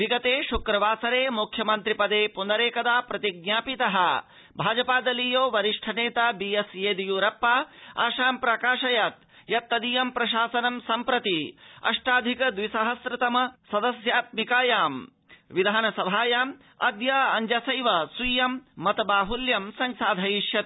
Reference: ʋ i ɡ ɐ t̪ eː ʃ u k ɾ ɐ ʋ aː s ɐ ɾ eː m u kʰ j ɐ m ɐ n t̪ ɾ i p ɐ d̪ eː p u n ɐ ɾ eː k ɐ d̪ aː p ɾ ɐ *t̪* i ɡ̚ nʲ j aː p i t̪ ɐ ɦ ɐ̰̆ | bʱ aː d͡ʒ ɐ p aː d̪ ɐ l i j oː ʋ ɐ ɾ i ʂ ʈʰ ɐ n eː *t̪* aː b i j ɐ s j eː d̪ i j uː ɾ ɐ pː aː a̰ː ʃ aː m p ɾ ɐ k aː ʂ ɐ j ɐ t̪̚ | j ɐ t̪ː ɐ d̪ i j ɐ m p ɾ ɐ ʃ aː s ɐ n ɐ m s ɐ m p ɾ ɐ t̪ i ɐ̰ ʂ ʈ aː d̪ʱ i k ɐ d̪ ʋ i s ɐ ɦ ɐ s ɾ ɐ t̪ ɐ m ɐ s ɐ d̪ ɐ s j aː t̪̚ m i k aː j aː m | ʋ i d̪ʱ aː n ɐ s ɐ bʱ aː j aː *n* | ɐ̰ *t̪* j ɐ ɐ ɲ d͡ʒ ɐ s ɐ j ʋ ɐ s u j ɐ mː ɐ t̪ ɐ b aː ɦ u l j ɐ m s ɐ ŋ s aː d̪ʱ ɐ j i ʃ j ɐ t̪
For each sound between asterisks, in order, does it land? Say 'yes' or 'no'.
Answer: yes, yes, no, no

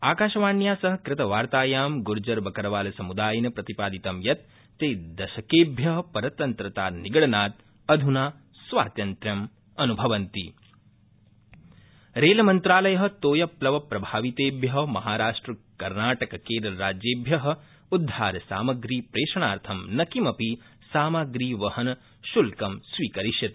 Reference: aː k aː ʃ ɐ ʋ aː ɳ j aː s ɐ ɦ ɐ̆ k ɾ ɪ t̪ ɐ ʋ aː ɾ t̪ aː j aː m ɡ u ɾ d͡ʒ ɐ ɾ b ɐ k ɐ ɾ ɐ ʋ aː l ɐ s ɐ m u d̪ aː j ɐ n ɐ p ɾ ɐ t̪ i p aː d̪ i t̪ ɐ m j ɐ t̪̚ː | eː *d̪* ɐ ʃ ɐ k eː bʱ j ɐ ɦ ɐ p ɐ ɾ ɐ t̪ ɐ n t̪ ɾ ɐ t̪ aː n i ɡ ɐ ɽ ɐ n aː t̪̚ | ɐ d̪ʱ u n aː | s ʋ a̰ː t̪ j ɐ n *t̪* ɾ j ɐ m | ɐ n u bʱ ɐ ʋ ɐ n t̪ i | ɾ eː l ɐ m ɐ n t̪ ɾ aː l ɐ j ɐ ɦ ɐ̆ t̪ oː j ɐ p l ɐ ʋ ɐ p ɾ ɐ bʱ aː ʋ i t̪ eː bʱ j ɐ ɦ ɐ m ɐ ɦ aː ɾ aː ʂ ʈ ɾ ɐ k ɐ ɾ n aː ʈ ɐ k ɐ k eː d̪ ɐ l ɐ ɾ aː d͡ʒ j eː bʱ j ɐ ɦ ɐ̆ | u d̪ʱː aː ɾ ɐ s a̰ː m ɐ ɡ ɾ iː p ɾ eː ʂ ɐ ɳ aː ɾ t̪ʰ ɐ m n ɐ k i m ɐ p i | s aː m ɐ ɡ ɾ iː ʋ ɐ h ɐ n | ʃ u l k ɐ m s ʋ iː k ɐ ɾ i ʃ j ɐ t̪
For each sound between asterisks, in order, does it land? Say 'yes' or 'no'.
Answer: yes, yes

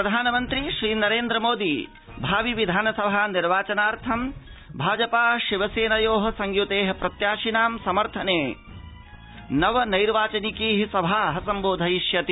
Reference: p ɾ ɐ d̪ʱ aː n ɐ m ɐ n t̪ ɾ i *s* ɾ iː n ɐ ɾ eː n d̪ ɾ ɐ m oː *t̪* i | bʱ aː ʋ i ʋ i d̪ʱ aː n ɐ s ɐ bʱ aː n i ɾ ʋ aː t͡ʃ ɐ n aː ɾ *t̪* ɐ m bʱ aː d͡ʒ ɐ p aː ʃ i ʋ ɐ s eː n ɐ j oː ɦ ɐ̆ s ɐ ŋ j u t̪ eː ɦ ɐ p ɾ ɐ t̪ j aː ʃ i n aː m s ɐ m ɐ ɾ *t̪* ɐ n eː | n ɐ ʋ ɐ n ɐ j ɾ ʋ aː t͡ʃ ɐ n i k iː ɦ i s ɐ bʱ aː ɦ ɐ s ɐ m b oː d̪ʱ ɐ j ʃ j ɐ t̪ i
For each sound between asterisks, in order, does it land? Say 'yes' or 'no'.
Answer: no, no, no, no

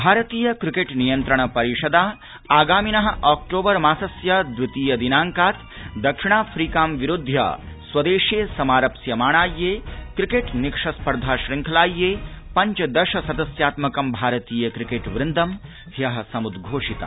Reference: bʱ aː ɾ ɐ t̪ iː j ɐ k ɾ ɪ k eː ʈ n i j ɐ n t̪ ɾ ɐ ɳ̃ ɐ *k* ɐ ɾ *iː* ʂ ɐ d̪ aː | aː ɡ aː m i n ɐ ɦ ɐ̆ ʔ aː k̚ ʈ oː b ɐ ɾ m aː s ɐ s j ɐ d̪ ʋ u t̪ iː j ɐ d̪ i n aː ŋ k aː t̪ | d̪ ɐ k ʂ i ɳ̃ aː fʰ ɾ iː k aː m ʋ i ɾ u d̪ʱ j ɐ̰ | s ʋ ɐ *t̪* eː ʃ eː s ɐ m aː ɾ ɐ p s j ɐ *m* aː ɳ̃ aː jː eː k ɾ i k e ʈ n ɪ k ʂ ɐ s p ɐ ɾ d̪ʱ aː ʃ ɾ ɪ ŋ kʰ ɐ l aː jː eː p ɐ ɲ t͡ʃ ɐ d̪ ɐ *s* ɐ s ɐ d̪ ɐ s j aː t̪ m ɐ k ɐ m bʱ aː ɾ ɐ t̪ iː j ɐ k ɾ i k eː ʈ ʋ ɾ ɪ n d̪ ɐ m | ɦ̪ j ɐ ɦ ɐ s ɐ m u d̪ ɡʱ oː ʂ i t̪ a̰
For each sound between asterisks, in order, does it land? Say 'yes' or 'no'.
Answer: no, no, no, yes, no

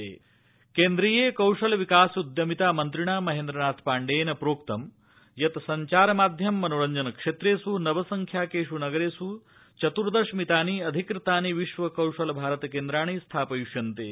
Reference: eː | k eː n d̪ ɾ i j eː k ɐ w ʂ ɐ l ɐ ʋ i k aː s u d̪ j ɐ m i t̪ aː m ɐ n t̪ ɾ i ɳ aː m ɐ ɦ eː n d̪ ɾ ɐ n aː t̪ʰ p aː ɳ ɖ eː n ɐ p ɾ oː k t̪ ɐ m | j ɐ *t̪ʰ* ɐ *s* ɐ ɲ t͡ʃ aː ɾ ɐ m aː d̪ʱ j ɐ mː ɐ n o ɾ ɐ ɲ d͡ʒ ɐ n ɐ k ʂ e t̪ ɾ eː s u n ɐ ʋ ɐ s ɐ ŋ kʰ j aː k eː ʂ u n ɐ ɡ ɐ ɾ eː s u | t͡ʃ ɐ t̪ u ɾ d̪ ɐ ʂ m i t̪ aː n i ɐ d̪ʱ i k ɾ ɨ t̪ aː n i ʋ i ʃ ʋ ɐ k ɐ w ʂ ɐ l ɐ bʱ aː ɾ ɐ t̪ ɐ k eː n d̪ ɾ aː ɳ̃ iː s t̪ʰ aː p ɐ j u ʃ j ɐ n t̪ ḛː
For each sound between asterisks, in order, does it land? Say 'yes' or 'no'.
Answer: no, yes

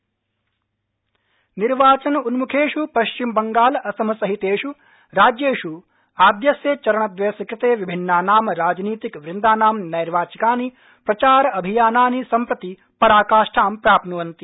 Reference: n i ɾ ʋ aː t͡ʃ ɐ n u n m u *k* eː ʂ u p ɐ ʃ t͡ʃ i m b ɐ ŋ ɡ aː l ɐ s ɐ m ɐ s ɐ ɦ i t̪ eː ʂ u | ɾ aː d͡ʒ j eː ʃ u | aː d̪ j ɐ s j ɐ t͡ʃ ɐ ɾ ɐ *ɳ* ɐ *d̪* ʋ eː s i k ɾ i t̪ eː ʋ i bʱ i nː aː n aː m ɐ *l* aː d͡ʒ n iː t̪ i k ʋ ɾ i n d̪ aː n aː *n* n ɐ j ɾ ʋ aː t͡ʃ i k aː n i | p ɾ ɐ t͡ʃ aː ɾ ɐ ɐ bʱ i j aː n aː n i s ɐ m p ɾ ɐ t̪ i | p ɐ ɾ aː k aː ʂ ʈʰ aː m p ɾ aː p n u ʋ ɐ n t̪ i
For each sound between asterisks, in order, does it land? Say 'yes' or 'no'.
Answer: no, yes, yes, no, no

